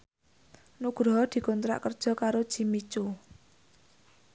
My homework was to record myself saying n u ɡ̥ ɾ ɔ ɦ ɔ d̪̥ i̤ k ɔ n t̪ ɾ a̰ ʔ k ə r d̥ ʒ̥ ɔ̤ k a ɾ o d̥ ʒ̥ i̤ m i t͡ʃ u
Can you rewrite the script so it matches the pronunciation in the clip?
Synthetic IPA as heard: n u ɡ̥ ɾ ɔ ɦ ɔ d̪̥ i̤ k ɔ n t̪ ɾ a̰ ʔ k ə r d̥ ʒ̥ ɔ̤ k a ɾ o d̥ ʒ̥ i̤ m i t͡ʃ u